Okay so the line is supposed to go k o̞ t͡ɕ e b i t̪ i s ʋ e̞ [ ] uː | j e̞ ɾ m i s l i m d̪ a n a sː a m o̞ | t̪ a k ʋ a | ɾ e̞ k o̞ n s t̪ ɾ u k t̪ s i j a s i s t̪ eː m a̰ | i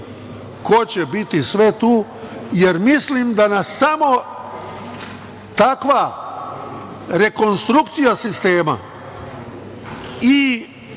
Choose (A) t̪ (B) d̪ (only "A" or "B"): A